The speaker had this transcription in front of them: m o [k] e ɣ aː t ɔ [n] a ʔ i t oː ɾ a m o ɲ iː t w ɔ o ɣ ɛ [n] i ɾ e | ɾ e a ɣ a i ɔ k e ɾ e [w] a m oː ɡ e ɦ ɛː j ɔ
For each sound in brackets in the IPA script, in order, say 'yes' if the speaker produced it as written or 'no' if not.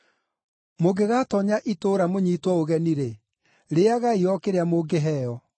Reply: no, no, yes, no

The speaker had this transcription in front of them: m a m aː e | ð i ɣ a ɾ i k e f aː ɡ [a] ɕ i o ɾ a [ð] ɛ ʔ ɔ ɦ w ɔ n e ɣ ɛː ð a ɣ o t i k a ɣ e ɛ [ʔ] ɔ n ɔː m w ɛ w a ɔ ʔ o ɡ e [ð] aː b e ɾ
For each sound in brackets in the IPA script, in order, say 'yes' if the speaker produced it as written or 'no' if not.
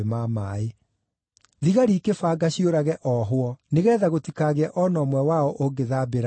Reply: yes, no, yes, yes

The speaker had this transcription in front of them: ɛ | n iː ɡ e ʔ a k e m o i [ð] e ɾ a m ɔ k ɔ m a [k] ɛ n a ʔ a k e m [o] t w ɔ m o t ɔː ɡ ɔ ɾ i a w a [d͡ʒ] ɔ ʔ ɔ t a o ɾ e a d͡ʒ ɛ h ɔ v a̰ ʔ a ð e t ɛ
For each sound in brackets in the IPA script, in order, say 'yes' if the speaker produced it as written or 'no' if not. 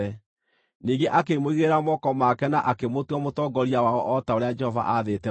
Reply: no, yes, yes, no

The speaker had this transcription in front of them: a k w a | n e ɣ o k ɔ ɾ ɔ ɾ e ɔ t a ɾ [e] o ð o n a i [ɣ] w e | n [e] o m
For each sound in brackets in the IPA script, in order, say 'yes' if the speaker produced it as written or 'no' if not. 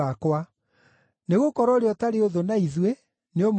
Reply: yes, no, yes

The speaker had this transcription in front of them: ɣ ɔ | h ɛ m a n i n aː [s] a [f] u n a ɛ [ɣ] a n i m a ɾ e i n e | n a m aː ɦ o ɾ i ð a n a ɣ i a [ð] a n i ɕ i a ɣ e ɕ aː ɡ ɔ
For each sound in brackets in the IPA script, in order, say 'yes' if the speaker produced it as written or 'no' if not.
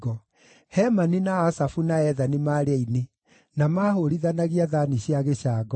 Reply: yes, yes, no, yes

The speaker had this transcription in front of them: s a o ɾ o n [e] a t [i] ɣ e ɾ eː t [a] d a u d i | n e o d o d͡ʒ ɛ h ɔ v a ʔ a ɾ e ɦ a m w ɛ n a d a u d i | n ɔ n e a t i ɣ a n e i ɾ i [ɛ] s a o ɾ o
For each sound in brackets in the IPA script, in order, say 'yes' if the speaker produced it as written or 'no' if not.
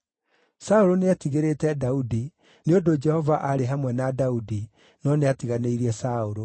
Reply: yes, yes, no, yes

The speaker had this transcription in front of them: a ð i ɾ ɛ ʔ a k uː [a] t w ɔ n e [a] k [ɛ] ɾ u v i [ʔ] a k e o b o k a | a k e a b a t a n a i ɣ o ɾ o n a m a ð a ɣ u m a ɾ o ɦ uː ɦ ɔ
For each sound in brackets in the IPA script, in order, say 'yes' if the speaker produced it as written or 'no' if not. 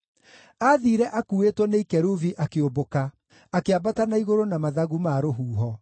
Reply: no, no, yes, yes

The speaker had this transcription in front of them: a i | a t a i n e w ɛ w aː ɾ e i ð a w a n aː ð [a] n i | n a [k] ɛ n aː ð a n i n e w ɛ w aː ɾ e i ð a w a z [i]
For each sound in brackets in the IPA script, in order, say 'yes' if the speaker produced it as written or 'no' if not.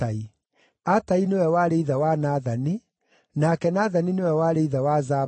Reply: yes, yes, no

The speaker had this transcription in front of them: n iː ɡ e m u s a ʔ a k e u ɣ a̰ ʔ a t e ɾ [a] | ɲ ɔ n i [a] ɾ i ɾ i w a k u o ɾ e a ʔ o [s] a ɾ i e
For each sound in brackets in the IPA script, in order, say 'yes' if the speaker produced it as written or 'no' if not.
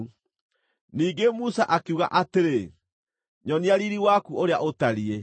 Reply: no, yes, no

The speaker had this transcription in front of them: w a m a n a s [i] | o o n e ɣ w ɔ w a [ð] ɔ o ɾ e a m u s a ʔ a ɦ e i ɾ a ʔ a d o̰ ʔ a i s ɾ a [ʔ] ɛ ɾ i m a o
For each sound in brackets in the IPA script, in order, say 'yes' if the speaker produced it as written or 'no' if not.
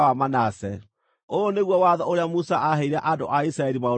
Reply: no, yes, no

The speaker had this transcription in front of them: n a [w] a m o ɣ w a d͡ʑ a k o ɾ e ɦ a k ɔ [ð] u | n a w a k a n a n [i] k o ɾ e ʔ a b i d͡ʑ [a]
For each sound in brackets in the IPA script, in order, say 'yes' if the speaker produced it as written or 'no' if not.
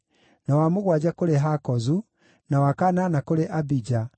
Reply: yes, no, no, yes

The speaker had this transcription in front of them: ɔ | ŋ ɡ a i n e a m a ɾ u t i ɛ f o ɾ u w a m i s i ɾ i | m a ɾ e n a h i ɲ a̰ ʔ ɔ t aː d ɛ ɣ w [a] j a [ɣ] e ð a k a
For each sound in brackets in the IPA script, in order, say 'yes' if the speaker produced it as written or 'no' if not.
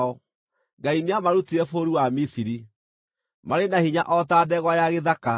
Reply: yes, yes

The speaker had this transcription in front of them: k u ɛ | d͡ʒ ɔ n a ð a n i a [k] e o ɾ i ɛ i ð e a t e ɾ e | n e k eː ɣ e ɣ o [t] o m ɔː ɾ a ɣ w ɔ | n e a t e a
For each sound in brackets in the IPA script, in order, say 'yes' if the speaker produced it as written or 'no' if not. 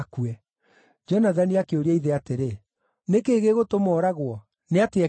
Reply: yes, yes

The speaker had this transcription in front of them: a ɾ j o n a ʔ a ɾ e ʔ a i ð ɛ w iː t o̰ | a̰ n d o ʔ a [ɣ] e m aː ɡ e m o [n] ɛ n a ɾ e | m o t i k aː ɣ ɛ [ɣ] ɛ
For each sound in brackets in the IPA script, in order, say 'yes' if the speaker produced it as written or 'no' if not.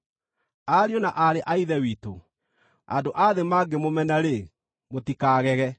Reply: no, no, yes

